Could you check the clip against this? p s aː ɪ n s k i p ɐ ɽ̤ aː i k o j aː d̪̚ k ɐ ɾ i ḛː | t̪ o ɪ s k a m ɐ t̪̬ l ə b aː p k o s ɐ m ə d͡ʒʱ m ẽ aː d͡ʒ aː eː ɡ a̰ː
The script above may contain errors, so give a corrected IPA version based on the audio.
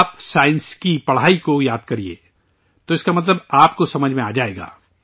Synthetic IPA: p s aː ɪ n s k i p ɐ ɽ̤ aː i k o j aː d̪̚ k ɐ ɾ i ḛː | t̪ o ɪ s k a m ɐ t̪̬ l ə b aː p k o s ɐ m ə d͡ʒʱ m ẽ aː d͡ʒ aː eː ɡ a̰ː